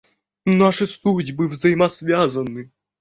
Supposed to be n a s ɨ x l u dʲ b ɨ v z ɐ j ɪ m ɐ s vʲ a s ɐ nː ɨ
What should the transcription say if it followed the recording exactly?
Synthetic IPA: n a ʂ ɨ s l u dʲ b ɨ v z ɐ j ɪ m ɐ s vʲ a z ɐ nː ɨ